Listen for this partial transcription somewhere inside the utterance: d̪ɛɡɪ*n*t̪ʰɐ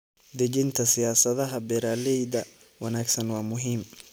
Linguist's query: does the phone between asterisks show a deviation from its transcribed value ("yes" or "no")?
no